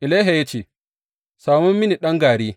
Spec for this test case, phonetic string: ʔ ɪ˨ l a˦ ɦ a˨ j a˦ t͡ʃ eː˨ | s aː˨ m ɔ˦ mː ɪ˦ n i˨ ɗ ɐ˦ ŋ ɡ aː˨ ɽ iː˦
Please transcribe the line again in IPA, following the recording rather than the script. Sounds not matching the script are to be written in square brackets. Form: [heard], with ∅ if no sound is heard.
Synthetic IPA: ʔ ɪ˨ l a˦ ɦ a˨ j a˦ t͡ʃ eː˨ | s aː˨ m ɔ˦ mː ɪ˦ n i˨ ɗ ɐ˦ ŋ ɡ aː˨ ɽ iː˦